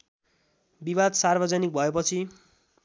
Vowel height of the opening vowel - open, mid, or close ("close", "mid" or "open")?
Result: close